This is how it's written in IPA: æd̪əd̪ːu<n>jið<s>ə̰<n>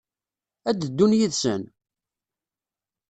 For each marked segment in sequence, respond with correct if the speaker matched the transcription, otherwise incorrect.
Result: correct, correct, correct

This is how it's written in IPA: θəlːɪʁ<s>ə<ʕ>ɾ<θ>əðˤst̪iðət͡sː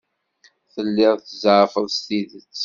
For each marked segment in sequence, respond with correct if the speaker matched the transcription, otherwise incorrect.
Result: incorrect: θ, incorrect: z, incorrect: f

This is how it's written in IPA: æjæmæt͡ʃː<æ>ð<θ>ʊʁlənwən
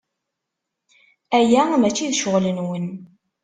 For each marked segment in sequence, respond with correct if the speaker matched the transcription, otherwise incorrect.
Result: incorrect: i, incorrect: ʃ

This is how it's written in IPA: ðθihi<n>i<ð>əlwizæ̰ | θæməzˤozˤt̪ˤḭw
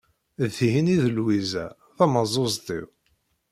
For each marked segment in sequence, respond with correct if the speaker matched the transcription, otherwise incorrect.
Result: correct, correct

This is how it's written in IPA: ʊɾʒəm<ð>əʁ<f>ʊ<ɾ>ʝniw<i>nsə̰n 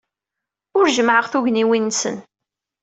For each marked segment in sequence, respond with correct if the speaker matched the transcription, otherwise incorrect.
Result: incorrect: ʕ, incorrect: θ, incorrect: none, correct

